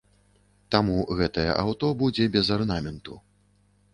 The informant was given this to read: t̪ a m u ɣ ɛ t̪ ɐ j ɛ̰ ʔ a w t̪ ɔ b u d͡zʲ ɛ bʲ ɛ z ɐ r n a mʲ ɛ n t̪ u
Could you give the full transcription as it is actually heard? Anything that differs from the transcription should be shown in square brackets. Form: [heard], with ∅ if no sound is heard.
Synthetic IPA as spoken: t̪ a m u ɣ ɛ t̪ ɐ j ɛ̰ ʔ a w t̪ ɔ b u d͡zʲ ɛ bʲ ɛ z ɐ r n a mʲ ɛ n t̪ u